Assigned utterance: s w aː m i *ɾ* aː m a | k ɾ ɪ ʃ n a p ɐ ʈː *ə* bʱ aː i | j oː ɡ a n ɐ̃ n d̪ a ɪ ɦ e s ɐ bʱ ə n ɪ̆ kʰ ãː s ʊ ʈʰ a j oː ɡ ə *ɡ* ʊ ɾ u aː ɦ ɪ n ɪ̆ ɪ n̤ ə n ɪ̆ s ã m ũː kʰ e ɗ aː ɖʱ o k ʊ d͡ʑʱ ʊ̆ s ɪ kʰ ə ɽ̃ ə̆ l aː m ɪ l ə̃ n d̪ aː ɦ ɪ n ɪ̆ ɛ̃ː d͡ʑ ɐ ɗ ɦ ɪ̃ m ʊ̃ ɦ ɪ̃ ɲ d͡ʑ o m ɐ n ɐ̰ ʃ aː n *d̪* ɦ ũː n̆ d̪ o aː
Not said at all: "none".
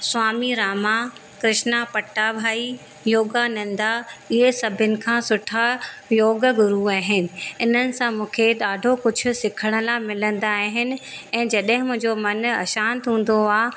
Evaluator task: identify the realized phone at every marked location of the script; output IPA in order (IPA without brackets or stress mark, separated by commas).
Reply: ɾ, a, ɡ, t̪